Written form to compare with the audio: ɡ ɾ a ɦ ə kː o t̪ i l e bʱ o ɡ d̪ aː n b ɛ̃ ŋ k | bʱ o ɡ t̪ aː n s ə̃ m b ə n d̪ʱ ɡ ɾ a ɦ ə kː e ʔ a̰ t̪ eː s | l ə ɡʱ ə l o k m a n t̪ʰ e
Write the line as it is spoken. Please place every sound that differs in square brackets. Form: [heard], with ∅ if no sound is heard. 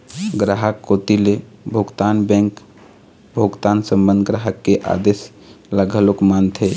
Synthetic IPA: ɡ ɾ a ɦ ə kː o t̪ i l e bʱ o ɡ [t̪] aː n b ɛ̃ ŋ k | bʱ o ɡ t̪ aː n s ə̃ m b ə n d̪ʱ ɡ ɾ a ɦ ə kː e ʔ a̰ [d̪] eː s | l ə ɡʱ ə l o k m a n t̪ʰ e